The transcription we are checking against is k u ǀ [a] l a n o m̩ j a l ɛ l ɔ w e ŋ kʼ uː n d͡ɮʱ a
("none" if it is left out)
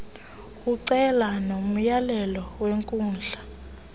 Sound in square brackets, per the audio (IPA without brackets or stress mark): ɛ